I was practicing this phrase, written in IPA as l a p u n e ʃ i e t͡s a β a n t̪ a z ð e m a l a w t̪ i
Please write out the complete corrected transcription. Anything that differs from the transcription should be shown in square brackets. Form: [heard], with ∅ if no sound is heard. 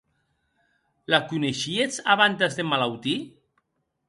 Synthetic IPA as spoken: l a [k] u n e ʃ i e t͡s a β a n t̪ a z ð e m a l a w t̪ i